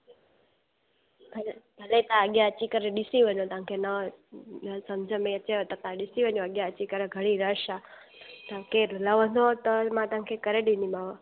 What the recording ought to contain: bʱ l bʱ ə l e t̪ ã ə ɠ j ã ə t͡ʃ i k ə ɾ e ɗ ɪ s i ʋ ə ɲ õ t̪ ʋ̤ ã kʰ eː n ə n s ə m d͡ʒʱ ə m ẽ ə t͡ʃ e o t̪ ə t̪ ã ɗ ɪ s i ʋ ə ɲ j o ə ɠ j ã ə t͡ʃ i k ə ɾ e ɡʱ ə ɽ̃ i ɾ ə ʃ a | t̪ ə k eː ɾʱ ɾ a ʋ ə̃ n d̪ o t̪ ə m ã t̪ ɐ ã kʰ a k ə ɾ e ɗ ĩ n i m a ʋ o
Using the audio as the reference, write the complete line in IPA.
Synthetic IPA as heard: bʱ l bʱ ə l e t̪ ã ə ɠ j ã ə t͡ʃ i k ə ɾ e ɗ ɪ s i ʋ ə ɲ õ t̪ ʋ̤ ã kʰ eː n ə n s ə m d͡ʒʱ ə m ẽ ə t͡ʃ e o t̪ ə t̪ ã ɗ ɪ s i ʋ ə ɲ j o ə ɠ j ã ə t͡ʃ i k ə ɾ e ɡʱ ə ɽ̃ i ɾ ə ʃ a | t̪ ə k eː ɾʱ l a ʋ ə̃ n d̪ o t̪ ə m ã t̪ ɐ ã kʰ e k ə ɾ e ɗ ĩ n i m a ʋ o